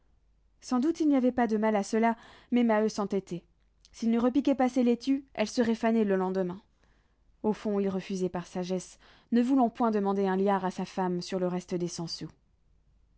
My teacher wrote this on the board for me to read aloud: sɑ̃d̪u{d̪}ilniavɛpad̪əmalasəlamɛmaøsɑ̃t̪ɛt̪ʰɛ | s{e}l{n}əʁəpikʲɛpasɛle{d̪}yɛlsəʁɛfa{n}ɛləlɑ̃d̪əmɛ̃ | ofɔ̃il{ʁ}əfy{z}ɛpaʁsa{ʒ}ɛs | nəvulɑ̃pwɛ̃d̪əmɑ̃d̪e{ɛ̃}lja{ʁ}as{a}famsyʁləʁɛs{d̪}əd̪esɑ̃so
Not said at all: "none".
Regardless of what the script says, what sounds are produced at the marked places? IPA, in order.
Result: t̪, i, n, t̪, n, ʁ, z, ʒ, ɛ̃, ʁ, a, t̪

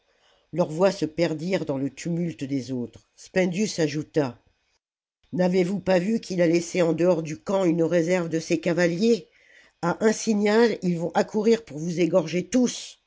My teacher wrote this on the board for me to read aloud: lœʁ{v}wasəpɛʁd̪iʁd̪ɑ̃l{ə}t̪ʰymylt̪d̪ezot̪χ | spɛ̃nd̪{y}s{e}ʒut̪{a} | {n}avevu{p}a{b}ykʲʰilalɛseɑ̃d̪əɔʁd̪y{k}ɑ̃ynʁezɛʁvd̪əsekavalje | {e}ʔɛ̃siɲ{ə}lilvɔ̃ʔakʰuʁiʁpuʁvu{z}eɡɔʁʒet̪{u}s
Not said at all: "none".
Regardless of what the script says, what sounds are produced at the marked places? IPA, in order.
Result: v, ə, y, a, a, n, p, v, k, a, a, z, u

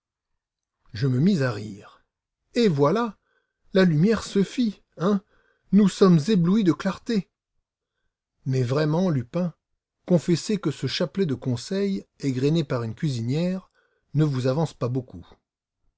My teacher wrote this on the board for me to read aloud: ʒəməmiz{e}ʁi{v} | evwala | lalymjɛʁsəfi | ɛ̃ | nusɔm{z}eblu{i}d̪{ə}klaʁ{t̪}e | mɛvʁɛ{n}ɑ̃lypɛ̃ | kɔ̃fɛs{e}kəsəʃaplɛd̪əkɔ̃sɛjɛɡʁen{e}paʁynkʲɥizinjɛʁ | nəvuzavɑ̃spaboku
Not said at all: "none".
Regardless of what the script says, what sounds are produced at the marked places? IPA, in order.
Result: a, ʁ, z, i, ə, t̪, m, e, e

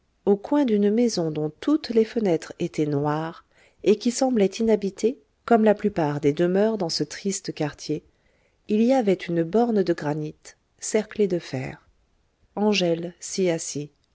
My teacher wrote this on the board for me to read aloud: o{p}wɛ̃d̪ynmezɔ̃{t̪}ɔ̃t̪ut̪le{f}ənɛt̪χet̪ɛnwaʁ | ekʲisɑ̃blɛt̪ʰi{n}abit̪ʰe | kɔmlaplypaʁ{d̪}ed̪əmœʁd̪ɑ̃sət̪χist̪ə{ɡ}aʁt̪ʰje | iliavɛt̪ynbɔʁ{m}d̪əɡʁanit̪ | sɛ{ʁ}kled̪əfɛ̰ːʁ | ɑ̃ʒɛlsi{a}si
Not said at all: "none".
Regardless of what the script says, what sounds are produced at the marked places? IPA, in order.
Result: k, d̪, f, n, d̪, k, n, ʁ, a

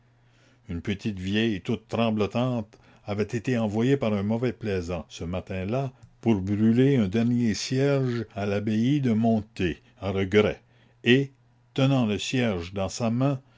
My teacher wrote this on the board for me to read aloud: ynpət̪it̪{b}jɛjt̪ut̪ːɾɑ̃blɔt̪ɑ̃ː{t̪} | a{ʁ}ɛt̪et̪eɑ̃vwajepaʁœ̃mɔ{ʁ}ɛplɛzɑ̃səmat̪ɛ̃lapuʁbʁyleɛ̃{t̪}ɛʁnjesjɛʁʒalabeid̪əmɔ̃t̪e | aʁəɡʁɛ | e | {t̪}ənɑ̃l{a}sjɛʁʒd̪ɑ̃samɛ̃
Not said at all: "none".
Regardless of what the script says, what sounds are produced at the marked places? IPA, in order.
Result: v, t̪, v, v, d̪, t̪, ə

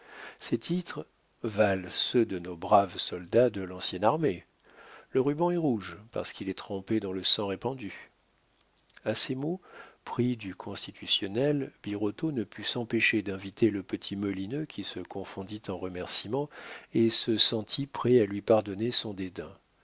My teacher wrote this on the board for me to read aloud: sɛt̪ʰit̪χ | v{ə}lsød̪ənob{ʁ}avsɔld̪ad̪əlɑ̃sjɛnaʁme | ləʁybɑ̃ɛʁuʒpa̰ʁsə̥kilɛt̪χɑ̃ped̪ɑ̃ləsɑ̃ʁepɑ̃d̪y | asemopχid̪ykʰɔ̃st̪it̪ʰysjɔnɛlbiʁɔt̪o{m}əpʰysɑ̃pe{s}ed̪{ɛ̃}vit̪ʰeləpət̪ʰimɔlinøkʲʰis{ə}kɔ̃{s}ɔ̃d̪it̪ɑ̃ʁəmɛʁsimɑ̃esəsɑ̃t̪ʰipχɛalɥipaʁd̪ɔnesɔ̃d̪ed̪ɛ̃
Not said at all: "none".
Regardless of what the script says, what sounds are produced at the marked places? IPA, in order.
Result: a, ʁ, n, ʃ, ɛ̃, ə, f

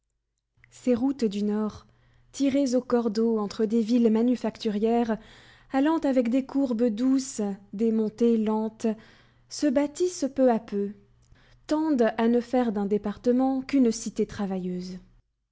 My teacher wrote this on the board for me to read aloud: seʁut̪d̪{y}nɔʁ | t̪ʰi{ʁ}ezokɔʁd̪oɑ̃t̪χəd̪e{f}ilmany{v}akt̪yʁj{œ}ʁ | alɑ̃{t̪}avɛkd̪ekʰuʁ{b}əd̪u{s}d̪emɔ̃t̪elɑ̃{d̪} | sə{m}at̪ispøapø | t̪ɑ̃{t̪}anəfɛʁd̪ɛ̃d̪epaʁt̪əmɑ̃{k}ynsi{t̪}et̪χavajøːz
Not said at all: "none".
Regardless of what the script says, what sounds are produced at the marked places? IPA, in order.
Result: y, ʁ, v, f, ɛ, t̪, b, s, t̪, b, d̪, k, t̪

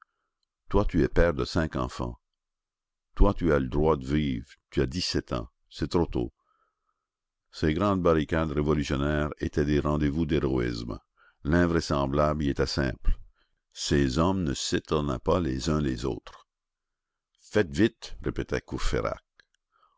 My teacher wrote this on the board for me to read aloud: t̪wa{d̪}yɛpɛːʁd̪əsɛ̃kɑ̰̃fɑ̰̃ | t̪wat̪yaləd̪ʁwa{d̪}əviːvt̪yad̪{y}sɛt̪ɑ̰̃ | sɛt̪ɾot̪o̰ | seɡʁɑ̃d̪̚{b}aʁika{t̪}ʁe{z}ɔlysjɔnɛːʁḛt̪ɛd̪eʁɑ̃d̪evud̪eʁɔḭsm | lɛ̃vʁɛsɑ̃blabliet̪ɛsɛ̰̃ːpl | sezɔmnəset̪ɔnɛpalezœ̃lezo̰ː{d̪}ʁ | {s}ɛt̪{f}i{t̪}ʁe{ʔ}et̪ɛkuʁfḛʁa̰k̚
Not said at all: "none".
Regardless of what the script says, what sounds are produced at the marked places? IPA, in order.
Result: t̪, d̪, i, b, d̪, v, t̪, f, v, t̪, p

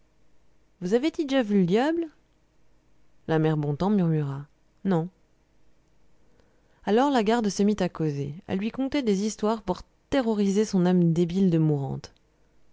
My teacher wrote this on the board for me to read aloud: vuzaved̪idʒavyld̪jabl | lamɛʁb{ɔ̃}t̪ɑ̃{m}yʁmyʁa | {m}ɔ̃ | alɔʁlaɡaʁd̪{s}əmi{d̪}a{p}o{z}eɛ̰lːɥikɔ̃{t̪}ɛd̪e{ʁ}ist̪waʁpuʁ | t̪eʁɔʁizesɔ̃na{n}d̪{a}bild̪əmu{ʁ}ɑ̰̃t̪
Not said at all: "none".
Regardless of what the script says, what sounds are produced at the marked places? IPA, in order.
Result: ɔ̃, m, n, s, t̪, k, z, t̪, z, m, e, ʁ

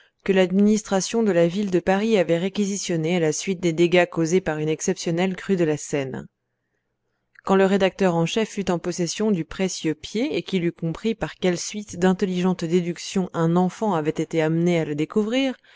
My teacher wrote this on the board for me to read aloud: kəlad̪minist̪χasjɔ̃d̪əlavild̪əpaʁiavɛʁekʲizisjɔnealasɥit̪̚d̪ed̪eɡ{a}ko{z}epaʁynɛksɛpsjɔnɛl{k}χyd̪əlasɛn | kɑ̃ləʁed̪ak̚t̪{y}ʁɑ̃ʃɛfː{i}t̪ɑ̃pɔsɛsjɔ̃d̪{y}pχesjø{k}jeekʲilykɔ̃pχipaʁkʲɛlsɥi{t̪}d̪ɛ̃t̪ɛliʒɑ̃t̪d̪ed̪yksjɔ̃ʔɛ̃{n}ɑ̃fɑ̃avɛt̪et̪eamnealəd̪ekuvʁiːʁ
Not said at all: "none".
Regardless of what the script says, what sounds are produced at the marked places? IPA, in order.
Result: a, z, k, œ, y, y, p, t̪, n

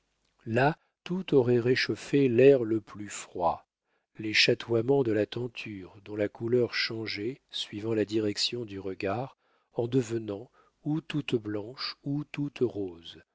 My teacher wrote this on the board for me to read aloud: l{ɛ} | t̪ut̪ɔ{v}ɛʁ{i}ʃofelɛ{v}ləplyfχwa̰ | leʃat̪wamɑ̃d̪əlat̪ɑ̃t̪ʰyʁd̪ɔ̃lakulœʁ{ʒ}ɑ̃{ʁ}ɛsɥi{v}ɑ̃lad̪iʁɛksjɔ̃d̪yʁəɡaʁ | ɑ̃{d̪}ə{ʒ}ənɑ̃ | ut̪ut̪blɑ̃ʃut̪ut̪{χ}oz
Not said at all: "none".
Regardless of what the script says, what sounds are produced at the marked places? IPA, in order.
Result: a, ʁ, e, ʁ, ʃ, ʒ, v, d̪, v, ʁ

